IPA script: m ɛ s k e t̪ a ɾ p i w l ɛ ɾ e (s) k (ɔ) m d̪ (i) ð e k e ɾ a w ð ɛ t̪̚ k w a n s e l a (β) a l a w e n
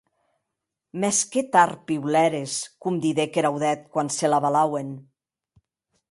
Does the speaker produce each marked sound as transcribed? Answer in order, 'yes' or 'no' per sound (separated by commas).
yes, no, yes, yes